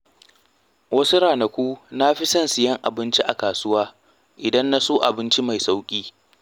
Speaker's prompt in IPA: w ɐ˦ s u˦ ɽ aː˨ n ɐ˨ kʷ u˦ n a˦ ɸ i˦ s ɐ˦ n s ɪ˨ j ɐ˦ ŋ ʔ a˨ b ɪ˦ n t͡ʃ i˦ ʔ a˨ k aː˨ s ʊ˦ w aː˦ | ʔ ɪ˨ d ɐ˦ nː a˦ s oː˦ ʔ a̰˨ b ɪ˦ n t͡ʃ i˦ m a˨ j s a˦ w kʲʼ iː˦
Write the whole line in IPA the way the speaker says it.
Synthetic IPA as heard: w ɐ˦ s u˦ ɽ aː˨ n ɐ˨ kʷ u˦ n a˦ ɸ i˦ s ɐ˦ n s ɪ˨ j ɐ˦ ŋ ʔ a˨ b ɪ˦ n t͡ʃ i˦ ʔ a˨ k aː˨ s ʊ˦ w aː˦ | ʔ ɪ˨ d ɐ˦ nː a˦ s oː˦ ʔ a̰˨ b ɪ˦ n t͡ʃ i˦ m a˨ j s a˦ w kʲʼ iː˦